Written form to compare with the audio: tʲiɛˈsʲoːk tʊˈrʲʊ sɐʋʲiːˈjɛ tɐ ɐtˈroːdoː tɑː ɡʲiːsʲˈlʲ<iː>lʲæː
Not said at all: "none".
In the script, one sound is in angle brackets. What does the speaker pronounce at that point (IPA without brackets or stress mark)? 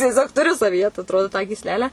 æː